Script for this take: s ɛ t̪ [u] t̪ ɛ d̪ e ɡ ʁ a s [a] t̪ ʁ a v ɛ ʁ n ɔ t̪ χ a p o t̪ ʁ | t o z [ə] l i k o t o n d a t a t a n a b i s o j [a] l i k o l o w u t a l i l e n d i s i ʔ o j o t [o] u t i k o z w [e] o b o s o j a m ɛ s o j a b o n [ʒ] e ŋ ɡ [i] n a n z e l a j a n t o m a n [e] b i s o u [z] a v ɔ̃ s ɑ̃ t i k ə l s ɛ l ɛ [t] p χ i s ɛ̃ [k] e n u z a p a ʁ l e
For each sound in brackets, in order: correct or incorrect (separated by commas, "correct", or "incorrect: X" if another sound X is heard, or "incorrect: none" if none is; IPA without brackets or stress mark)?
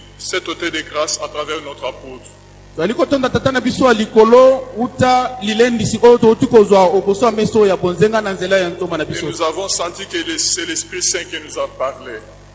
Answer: incorrect: o, correct, incorrect: a, correct, correct, incorrect: a, incorrect: z, incorrect: a, incorrect: a, correct, incorrect: s, correct